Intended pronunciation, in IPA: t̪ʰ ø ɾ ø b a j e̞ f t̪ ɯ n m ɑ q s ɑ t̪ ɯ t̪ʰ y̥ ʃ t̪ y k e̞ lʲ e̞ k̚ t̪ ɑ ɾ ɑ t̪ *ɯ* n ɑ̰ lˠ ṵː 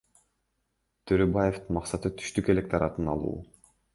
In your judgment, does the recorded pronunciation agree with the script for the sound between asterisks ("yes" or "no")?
yes